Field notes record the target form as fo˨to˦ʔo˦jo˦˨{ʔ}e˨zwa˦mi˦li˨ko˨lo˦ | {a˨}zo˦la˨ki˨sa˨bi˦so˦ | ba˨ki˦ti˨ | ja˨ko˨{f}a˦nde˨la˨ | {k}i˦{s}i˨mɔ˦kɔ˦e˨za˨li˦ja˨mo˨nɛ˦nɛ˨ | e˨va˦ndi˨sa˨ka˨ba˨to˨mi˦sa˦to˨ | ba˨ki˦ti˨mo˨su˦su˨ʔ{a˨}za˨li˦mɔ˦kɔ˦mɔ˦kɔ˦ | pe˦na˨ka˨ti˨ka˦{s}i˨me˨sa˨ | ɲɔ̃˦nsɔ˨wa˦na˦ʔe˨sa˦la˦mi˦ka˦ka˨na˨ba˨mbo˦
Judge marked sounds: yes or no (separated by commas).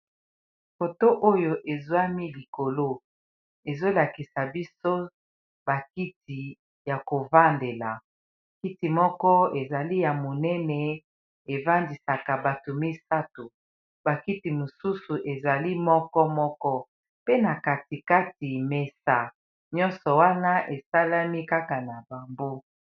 yes, no, no, yes, no, no, no